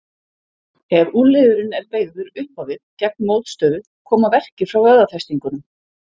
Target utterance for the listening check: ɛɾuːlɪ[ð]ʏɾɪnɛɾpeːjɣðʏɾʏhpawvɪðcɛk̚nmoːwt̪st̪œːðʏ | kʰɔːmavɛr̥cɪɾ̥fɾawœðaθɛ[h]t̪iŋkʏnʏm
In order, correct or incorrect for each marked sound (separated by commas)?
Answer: correct, incorrect